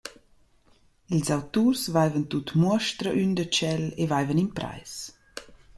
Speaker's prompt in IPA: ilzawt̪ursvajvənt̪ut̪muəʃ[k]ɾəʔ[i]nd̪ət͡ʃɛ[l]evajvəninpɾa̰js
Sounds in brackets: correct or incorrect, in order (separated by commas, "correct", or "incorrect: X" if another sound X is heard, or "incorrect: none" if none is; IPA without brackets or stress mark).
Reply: incorrect: t, incorrect: y, correct